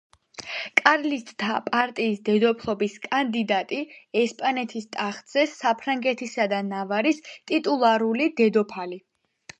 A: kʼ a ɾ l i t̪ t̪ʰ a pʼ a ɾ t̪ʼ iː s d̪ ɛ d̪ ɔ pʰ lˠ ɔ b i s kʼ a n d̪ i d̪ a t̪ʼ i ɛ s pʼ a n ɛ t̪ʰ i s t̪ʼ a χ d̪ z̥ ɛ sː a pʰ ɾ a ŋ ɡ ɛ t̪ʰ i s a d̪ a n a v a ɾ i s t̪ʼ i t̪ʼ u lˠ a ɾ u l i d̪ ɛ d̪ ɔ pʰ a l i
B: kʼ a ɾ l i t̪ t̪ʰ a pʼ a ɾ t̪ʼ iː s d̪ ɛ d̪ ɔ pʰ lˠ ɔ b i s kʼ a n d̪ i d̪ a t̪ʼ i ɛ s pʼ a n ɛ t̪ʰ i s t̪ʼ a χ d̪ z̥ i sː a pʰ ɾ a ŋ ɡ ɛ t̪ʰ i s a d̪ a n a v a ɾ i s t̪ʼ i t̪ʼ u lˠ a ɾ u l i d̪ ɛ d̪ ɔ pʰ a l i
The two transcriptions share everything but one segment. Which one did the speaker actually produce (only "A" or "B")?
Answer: A